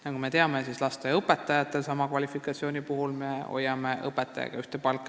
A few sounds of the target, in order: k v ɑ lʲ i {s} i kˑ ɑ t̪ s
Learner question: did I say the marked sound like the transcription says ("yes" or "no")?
no